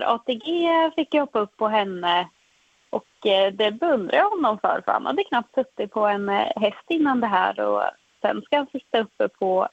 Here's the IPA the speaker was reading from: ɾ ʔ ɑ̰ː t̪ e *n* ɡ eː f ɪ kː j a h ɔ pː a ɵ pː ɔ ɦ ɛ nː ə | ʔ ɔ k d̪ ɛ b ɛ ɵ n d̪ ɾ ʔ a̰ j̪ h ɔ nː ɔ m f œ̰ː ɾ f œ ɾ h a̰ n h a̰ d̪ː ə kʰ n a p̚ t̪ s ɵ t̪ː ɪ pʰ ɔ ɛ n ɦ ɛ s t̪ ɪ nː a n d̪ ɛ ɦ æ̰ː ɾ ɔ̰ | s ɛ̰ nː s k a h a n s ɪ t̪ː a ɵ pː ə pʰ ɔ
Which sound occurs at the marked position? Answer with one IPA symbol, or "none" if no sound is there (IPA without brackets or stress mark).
none